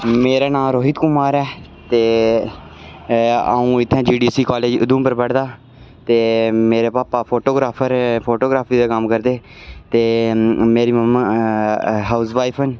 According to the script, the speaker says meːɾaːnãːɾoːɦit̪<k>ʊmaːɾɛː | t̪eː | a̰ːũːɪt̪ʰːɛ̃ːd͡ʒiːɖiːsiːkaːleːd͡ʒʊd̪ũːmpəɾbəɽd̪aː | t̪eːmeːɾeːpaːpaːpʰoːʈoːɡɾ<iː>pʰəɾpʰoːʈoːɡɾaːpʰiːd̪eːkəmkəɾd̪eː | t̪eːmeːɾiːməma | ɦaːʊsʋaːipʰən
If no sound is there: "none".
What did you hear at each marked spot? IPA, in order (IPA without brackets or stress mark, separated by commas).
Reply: k, aː